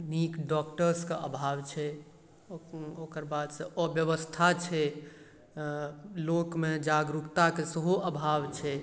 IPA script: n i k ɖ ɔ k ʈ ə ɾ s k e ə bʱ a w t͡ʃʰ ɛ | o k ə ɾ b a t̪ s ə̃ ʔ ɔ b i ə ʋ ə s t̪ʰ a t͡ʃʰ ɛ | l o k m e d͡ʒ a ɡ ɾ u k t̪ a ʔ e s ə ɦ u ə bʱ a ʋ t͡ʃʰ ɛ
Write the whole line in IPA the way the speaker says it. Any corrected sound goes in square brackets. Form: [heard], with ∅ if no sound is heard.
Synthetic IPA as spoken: n i k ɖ ɔ k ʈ ə ɾ s k e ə bʱ a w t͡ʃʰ ɛ | o k ə ɾ b a [d̪] s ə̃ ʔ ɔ b [j] ə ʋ ə s t̪ʰ a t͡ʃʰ ɛ | l o k m e d͡ʒ a ɡ ɾ u k t̪ a [k] e s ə ɦ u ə bʱ a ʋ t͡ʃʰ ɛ